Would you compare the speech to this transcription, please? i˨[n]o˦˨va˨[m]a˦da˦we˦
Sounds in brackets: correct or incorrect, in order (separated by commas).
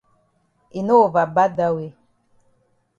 correct, incorrect